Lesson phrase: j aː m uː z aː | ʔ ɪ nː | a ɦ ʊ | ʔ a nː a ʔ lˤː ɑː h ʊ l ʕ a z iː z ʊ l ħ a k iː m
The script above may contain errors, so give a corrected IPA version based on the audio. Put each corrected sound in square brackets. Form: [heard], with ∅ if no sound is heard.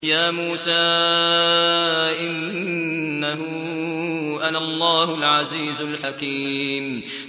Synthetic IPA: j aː m uː [s] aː | ʔ ɪ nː | a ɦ ʊ | ʔ a [n] a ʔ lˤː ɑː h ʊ l ʕ a z iː z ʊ l ħ a k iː m